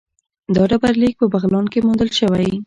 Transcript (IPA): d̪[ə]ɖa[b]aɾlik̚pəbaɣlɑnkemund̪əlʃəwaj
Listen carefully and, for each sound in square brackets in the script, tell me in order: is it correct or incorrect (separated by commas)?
incorrect, correct